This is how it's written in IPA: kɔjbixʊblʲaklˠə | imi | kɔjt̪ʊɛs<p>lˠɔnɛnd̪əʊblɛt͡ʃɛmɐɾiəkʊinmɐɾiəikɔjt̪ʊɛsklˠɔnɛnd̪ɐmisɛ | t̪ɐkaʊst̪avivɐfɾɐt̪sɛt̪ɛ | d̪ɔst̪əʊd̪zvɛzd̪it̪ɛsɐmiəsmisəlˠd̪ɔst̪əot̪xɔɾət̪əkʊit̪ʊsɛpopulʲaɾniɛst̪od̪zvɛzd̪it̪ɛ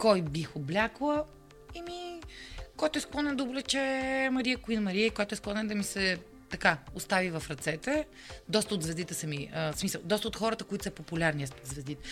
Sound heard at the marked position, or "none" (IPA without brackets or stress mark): k